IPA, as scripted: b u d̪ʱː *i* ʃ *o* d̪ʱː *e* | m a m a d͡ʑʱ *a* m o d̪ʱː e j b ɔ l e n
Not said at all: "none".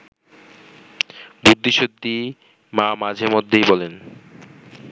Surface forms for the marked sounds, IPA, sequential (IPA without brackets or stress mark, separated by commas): i, o, i, e